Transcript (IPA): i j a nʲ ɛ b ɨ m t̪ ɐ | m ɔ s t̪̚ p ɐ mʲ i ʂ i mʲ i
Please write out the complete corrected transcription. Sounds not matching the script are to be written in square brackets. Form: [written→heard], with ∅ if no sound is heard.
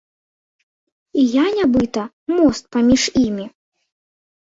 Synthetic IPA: i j a nʲ [ɛ→a] b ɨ [m→∅] t̪ ɐ | m ɔ s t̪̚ p [ɐ→a] mʲ i ʂ i mʲ i